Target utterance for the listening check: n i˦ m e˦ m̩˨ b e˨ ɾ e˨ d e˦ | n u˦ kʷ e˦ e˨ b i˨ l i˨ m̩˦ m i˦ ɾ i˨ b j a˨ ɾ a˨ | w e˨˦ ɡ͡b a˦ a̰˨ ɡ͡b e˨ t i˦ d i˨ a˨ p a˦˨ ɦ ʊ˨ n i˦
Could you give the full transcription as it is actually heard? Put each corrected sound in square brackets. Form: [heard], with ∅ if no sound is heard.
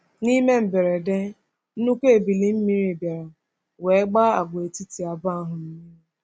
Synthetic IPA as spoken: n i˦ m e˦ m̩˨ b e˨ ɾ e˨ d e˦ | n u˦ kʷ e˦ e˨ b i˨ l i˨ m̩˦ m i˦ ɾ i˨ b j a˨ ɾ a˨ | w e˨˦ ɡ͡b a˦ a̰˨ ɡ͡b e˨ t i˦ [t] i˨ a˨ [b] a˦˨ ɦ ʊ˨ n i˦